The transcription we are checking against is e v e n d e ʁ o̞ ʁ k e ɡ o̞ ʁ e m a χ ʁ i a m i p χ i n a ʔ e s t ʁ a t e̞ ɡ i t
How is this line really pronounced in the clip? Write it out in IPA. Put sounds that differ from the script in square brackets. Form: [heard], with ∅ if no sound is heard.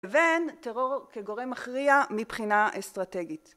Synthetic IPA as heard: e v e n [t] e ʁ o̞ ʁ k e ɡ o̞ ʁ e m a χ ʁ i a m i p χ i n a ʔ e s t ʁ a t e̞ ɡ i t